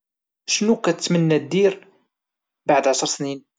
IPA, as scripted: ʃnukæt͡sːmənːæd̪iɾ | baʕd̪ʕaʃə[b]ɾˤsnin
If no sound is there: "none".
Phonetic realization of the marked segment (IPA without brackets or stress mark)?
none